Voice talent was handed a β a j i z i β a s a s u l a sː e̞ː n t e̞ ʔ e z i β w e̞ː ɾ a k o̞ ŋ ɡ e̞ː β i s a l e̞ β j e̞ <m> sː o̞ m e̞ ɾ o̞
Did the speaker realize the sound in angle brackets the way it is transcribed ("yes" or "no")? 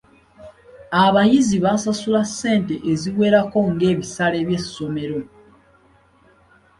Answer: no